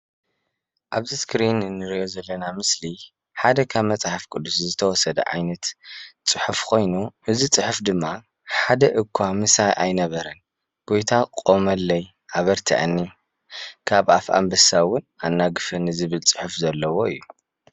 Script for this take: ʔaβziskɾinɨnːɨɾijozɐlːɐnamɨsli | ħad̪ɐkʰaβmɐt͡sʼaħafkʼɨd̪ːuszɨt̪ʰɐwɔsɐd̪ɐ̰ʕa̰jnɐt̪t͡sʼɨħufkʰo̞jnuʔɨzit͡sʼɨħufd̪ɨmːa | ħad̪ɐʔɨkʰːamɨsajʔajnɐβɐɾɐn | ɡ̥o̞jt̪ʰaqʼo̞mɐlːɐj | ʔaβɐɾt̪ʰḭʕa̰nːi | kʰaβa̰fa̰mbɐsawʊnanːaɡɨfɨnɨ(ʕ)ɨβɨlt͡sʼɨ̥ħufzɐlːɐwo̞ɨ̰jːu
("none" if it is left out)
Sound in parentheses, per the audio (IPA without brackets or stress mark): z